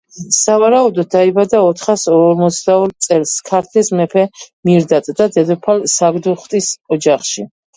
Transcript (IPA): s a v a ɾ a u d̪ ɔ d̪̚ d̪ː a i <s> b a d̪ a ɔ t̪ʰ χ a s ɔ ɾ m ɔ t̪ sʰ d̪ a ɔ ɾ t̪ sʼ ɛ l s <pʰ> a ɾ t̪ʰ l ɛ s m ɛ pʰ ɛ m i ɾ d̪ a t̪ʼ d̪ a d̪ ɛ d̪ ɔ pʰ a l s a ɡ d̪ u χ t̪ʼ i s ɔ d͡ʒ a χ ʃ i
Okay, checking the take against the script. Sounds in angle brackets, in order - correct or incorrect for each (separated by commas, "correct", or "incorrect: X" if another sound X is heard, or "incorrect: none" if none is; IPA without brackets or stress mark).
incorrect: none, incorrect: kʰ